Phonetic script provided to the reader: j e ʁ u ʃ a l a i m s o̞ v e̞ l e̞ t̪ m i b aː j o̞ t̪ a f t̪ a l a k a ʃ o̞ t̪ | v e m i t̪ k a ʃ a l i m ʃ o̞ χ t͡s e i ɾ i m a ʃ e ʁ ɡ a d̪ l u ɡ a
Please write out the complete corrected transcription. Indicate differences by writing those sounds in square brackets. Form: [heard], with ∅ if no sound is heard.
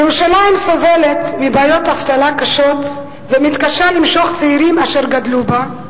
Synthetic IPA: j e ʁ u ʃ a l a i m s o̞ v e̞ l e̞ t̪ m i b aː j o̞ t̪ a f t̪ a l a k a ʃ o̞ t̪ | v e m i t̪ k a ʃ a l i m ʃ o̞ χ t͡s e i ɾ i m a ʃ e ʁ ɡ a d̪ l u [b] a